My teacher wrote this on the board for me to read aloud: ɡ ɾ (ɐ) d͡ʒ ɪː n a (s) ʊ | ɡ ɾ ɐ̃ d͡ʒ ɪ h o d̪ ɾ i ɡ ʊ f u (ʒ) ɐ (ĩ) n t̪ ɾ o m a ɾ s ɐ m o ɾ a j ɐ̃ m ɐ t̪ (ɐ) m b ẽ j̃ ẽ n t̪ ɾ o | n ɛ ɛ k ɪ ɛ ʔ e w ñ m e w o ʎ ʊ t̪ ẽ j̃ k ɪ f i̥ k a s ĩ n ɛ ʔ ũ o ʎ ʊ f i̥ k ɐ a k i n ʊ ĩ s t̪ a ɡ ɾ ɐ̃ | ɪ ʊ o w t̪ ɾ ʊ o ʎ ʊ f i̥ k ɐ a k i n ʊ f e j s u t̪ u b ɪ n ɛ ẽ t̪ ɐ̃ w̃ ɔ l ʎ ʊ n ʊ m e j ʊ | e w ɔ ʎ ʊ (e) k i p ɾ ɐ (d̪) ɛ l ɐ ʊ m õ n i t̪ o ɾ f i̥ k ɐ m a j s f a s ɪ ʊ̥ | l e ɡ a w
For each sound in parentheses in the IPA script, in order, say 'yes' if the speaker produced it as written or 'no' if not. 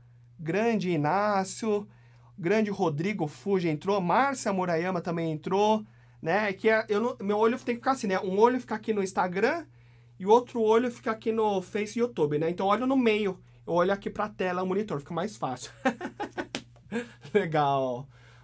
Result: no, yes, yes, no, no, no, no

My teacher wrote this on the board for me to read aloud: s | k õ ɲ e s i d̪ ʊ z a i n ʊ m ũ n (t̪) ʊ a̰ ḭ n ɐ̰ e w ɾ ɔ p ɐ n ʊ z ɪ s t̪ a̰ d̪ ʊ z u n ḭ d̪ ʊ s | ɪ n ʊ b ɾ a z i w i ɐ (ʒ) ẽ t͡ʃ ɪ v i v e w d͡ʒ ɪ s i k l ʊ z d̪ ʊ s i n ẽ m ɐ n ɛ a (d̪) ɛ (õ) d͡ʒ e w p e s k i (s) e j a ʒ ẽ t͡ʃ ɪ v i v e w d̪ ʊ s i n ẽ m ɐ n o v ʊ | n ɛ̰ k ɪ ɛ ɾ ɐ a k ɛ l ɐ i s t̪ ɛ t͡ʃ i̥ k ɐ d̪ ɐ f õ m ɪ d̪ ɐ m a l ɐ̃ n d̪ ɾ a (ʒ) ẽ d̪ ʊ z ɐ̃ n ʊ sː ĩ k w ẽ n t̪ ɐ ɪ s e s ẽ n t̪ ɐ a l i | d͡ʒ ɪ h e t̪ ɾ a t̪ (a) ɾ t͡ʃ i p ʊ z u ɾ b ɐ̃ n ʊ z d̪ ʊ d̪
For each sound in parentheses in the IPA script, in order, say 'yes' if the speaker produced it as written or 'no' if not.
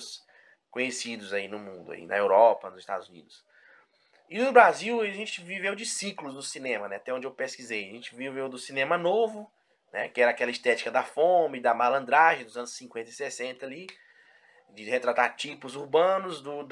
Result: no, yes, no, yes, no, yes, yes

